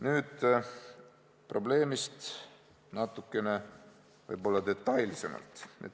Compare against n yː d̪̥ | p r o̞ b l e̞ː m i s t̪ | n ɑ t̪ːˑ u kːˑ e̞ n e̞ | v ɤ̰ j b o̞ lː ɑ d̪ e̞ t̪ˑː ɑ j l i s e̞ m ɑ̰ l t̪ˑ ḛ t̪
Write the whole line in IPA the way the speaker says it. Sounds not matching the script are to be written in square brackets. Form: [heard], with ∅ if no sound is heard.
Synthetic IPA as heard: n yː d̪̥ | p r o̞ b l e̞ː m i s t̪ | n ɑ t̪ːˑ u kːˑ e̞ n e̞ | v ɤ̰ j b o̞ lː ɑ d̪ e̞ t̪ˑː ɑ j l i s e̞ m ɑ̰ l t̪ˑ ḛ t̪